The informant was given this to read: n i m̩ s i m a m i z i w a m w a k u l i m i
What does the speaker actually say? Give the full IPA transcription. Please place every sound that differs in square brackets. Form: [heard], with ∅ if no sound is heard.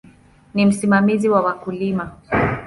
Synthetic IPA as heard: n i m̩ s i m a m i z i w a [∅] w a k u l i m [a]